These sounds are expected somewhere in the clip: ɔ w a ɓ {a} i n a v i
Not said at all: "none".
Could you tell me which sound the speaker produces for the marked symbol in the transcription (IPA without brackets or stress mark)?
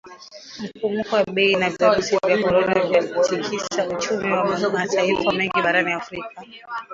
ɛ